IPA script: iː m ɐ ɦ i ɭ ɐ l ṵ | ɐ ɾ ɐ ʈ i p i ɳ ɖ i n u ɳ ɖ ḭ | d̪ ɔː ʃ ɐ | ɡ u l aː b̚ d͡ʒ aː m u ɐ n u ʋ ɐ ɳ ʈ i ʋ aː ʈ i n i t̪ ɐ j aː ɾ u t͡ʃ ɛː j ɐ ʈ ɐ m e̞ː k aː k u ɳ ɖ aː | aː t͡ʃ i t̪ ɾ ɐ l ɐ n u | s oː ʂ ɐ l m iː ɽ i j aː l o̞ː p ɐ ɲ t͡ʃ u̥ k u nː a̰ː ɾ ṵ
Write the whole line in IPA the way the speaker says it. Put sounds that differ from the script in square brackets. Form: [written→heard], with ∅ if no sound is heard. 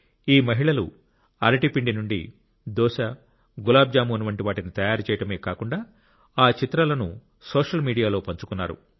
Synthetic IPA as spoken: iː m ɐ ɦ i ɭ ɐ l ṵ | ɐ ɾ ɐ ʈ i p i ɳ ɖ i n u ɳ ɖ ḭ | d̪ ɔː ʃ ɐ | ɡ u l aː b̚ d͡ʒ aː m u ɐ n u ʋ ɐ ɳ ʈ i ʋ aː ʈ i n i t̪ ɐ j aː ɾ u t͡ʃ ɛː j ɐ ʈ ɐ m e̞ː k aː k u ɳ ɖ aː | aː t͡ʃ i t̪ ɾ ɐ l ɐ n u | s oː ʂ ɐ l m iː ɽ i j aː l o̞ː p ɐ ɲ t͡ʃ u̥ k u nː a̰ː ɾ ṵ